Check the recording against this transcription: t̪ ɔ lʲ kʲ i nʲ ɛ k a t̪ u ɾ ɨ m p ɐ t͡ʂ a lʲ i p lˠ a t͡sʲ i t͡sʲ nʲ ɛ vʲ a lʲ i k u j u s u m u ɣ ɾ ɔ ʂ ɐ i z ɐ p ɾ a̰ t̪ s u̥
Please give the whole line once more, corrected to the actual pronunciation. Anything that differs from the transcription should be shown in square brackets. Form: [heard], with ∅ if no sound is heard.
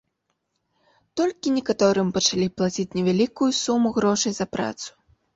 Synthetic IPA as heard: t̪ ɔ lʲ kʲ i nʲ ɛ k a t̪ [ɔ] ɾ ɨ m p ɐ t͡ʂ a lʲ i p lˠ a t͡sʲ i t͡sʲ nʲ ɛ vʲ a lʲ i k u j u s u m u ɣ ɾ ɔ ʂ ɐ [j] z ɐ p ɾ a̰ t̪ s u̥